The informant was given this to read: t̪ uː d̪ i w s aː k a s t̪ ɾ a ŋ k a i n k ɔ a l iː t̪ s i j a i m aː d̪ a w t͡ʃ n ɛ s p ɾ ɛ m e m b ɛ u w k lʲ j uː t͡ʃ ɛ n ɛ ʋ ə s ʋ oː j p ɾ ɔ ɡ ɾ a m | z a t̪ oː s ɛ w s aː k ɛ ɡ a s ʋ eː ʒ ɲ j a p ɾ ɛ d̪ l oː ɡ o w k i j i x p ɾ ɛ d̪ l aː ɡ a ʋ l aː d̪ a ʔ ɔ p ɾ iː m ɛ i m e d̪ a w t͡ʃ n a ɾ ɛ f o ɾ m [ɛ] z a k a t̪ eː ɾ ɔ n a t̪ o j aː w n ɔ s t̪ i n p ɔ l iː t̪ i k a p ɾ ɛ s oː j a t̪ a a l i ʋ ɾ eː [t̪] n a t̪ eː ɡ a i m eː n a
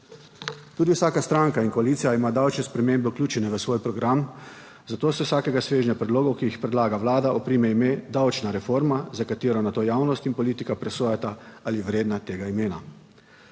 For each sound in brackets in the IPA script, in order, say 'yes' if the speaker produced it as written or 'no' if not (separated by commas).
no, no